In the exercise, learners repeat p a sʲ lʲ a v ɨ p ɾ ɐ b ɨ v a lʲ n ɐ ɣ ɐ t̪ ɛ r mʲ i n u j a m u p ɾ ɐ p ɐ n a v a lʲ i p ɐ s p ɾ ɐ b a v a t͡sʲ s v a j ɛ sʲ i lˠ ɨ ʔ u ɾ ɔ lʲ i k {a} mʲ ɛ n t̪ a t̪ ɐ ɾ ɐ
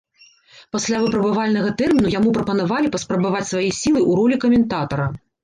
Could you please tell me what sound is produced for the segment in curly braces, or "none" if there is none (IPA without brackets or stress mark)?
ɐ